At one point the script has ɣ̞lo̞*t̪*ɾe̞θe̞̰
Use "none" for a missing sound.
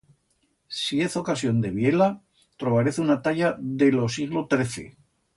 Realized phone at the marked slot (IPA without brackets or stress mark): t̪